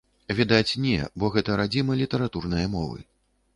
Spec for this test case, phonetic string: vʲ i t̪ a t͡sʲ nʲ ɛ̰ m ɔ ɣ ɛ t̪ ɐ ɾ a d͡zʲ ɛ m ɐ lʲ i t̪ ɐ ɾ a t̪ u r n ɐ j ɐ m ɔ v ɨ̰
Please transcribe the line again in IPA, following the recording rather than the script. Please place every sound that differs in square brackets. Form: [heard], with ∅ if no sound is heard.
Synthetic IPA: vʲ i [d̪] a t͡sʲ nʲ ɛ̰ [b] ɔ ɣ ɛ t̪ ɐ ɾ a d͡zʲ [i] m ɐ lʲ i t̪ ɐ ɾ a t̪ u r n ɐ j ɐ m ɔ v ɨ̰